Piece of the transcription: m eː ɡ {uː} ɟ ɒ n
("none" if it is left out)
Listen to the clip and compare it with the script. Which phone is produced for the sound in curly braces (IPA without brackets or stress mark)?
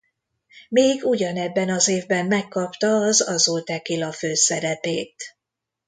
u